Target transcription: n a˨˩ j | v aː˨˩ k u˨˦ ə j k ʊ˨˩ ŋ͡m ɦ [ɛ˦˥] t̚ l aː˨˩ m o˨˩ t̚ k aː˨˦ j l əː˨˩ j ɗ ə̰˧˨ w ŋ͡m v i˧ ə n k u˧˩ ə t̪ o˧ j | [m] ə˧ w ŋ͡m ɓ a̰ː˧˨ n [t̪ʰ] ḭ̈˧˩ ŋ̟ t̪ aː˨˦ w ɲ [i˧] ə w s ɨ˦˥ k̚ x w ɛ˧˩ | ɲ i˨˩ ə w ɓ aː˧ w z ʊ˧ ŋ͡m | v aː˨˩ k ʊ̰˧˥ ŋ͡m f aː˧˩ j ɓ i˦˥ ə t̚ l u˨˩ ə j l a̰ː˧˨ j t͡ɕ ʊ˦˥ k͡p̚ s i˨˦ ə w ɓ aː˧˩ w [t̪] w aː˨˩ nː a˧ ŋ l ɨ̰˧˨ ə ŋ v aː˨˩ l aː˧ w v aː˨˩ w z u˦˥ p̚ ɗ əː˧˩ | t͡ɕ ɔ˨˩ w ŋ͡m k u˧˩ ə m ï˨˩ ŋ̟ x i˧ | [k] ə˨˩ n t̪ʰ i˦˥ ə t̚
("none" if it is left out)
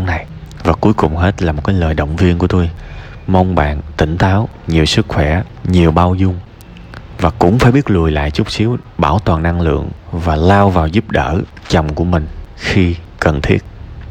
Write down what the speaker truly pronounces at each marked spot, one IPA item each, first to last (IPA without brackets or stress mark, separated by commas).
e˦˥, m, t̪, i˨˩, t̪, k